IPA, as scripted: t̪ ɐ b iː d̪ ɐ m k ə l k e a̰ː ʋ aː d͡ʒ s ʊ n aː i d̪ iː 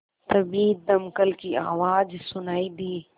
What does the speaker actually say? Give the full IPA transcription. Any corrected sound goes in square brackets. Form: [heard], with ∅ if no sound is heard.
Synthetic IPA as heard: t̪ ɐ b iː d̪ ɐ m k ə l k [i] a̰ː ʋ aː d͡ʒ s ʊ n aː i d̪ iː